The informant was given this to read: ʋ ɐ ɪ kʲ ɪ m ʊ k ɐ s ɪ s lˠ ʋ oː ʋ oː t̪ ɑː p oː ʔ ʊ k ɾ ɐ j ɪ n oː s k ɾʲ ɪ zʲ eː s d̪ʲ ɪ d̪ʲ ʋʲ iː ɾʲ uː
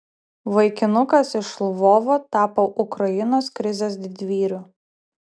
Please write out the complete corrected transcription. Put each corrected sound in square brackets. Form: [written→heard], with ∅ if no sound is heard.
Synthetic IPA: ʋ ɐ ɪ kʲ ɪ [m→n] ʊ k ɐ s ɪ [s→ʃ] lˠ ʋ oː ʋ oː t̪ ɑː p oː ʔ ʊ k ɾ ɐ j ɪ n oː s k ɾʲ ɪ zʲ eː s d̪ʲ ɪ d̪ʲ ʋʲ iː ɾʲ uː